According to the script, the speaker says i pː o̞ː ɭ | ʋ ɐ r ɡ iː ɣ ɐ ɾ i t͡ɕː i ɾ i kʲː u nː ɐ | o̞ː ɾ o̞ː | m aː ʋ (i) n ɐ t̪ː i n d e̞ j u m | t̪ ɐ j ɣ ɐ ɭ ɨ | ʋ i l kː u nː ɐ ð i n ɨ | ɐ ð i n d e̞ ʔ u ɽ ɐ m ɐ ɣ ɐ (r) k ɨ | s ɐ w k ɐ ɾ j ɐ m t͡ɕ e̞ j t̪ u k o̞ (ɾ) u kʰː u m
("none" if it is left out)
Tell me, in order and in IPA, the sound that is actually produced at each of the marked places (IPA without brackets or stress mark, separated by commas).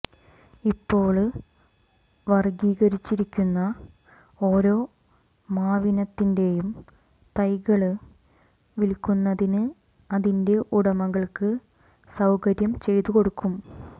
i, ɭ, ɽ